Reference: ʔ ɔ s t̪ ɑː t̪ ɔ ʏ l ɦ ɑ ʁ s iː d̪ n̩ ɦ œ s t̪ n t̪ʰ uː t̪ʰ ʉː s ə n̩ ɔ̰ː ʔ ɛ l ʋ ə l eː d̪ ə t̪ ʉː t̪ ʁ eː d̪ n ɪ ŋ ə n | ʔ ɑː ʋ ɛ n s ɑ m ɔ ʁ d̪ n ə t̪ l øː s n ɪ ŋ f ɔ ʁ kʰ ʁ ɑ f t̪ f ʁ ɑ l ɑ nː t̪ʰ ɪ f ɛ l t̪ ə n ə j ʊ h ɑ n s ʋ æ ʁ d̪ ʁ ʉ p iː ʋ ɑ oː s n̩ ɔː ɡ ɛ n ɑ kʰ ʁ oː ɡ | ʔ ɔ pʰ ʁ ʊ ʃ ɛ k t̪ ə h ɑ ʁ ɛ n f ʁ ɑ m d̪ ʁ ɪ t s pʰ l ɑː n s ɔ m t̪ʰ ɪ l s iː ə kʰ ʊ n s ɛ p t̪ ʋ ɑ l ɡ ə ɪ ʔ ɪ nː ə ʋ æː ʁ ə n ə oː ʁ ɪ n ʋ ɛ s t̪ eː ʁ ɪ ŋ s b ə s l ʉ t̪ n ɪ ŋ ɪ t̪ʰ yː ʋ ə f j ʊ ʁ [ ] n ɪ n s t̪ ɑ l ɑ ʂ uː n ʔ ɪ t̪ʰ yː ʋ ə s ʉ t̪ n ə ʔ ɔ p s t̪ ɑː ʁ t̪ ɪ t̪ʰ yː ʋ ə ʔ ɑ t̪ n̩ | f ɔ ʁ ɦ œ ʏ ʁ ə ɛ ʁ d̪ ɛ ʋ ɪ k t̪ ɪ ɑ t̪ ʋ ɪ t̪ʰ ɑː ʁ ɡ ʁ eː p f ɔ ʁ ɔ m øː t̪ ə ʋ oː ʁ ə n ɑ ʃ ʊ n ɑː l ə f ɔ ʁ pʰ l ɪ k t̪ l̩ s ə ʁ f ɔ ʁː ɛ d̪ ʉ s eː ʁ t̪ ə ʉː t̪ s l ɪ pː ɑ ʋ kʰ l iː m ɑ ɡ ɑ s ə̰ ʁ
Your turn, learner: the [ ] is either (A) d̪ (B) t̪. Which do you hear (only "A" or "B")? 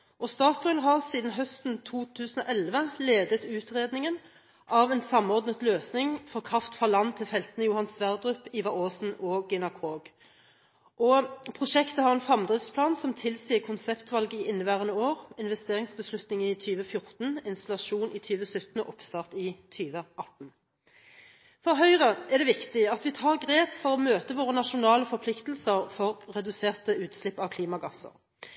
B